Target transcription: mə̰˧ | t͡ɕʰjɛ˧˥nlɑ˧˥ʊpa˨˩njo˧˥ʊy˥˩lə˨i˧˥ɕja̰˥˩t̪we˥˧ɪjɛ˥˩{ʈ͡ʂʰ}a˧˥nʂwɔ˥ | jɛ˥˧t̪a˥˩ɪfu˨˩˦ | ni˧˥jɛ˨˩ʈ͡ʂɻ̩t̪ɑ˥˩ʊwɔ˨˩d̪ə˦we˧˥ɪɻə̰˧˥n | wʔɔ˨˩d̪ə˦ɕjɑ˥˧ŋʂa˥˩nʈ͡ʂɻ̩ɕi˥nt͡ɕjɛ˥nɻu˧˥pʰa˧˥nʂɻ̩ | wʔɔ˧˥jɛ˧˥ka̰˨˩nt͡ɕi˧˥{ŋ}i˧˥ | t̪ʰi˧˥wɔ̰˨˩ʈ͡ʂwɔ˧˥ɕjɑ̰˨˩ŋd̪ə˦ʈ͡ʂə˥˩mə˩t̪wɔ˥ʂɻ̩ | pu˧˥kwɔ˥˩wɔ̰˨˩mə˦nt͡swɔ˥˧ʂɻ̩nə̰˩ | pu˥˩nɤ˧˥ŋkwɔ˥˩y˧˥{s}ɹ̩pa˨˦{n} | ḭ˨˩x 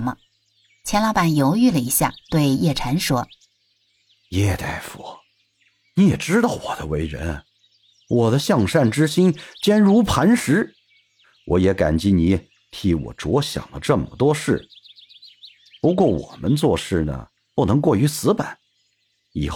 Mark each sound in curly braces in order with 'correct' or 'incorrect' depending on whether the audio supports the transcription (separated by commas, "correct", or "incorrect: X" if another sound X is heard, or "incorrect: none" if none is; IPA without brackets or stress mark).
correct, incorrect: n, correct, correct